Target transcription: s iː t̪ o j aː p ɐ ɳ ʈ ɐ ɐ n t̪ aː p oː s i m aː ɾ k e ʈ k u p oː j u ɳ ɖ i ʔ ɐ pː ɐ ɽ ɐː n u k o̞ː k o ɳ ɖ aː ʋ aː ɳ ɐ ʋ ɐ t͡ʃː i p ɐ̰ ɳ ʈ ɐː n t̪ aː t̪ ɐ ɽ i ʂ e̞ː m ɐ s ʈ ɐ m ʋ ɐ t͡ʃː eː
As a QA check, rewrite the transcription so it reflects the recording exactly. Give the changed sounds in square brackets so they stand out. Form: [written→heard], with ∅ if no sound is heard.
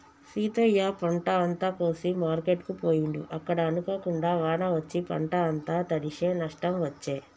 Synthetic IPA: s iː t̪ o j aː p ɐ ɳ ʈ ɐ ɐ n t̪ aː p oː s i m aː ɾ k e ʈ k u p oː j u ɳ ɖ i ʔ ɐ [pː→kː] ɐ ɽ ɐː n u k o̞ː k [o→u] ɳ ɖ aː ʋ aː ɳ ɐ ʋ ɐ t͡ʃː i p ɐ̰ ɳ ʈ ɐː n t̪ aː t̪ ɐ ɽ i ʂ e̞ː [m→n] ɐ [s→ʂ] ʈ ɐ m ʋ ɐ t͡ʃː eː